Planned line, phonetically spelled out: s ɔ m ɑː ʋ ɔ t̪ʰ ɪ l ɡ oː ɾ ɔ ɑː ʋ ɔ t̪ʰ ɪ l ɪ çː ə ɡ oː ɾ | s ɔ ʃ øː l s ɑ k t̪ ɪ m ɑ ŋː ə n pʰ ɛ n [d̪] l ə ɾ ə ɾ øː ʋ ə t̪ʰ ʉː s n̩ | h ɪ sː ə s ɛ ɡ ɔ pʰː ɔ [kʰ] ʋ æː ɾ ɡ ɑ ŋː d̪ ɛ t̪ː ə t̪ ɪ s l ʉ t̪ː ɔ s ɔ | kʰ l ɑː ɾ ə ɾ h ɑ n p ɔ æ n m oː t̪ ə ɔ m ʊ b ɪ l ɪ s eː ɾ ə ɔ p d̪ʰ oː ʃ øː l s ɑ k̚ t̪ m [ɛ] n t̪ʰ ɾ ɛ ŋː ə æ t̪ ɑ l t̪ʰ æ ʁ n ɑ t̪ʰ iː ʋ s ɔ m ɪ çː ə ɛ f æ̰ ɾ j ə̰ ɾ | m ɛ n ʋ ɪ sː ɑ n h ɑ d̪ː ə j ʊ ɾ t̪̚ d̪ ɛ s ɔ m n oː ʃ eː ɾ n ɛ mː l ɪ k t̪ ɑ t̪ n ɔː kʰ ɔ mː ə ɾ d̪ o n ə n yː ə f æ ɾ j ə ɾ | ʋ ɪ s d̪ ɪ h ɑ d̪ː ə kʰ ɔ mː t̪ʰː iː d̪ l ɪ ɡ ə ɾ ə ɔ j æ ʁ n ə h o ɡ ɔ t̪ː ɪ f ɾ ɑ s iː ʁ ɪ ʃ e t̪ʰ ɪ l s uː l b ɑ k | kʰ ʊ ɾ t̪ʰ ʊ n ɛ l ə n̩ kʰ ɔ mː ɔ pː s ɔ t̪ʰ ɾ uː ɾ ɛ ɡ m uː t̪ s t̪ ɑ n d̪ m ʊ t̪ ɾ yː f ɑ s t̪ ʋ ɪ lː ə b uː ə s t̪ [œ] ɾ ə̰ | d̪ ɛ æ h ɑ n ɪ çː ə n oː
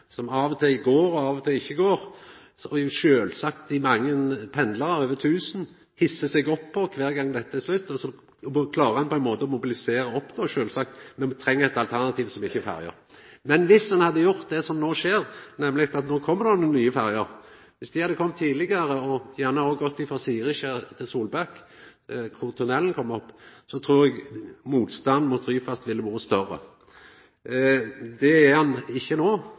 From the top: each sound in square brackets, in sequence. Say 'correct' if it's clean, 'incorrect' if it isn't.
correct, correct, correct, correct

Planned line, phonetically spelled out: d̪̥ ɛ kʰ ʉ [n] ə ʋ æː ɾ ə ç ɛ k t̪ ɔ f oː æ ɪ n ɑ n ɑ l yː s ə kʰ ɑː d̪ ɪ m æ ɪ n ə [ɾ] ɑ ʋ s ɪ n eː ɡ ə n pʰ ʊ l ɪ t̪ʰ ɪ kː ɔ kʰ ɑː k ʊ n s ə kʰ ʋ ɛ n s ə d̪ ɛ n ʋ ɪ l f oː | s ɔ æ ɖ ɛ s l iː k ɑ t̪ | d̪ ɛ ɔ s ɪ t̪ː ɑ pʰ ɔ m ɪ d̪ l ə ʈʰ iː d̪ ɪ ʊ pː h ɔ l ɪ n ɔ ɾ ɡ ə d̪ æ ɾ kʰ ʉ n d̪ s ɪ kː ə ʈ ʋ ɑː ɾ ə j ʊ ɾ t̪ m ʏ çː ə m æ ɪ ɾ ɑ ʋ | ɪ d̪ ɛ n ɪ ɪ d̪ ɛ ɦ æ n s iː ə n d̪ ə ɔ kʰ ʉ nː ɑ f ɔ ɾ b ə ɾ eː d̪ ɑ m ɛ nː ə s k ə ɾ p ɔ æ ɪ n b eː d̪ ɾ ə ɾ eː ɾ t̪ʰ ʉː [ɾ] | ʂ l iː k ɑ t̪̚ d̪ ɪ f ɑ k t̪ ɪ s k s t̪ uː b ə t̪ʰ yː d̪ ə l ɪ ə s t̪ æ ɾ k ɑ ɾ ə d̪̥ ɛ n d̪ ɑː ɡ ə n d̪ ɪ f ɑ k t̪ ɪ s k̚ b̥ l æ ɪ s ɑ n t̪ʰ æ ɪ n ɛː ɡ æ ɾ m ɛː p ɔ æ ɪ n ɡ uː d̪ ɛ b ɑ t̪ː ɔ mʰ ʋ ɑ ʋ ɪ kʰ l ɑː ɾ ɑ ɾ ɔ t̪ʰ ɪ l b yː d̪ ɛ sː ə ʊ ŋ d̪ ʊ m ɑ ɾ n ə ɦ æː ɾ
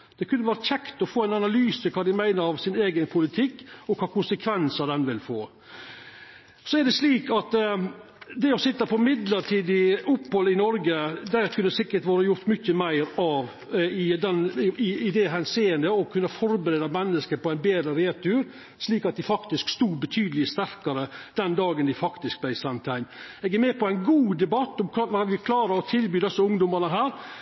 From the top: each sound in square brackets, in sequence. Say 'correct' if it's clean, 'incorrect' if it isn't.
incorrect, correct, correct

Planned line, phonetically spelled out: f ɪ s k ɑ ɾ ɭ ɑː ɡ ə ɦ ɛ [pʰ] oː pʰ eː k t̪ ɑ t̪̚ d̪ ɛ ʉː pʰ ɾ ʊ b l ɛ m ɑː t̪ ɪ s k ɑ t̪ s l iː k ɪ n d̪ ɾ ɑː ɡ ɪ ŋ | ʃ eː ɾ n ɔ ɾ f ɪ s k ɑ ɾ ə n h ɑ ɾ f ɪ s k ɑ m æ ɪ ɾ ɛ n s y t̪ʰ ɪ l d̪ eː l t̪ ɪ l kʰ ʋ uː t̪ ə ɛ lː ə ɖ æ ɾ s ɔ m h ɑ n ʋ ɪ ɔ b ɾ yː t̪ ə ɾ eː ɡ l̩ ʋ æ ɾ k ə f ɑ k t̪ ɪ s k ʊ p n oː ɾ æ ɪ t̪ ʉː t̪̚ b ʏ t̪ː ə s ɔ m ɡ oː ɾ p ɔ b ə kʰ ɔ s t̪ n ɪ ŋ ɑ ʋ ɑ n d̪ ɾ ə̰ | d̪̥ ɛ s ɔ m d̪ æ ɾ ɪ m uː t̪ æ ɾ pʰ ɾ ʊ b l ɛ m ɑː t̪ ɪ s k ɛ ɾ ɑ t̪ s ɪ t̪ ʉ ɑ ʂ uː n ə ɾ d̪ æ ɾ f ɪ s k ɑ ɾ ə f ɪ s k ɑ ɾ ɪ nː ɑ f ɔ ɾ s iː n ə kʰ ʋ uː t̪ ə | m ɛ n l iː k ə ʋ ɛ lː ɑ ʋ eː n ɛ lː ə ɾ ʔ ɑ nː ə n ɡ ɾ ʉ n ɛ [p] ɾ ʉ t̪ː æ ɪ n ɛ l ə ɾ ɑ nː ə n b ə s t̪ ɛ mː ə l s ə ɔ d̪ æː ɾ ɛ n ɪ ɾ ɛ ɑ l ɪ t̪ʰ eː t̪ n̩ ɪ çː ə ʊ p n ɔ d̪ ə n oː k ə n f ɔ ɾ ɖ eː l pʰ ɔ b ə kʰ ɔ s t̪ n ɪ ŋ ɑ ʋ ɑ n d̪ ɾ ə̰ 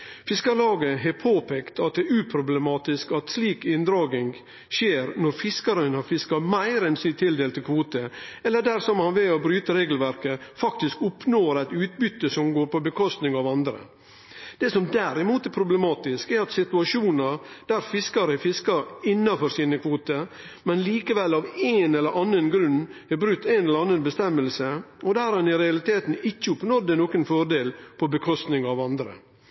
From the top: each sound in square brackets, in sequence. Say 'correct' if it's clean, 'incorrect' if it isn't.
correct, incorrect

